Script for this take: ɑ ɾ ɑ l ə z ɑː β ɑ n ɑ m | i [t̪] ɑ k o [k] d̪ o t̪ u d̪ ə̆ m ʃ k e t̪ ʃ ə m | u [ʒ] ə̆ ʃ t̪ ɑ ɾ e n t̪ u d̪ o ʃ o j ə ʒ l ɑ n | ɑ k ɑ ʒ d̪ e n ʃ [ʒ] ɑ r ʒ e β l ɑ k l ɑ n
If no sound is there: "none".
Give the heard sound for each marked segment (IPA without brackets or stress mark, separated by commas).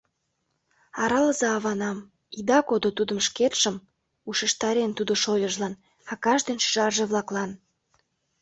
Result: d̪, none, ʃ, ʒ